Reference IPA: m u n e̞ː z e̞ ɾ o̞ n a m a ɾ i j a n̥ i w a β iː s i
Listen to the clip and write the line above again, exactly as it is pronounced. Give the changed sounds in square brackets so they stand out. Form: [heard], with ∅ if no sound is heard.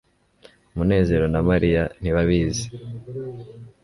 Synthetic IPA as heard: m u n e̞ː z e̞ ɾ o̞ n a m a ɾ i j a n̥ i [β] a β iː [z] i